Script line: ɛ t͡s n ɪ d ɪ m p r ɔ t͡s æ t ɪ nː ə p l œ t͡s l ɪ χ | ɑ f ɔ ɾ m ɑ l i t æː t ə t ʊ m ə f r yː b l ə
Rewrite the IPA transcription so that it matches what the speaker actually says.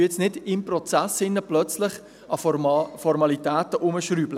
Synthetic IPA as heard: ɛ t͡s n ɪ d ɪ m p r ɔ t͡s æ s ɪ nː ə p l œ t͡s l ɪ χ | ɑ f ɔ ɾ m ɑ l i t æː t ə ʔ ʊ m ə ʃ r yː b l ə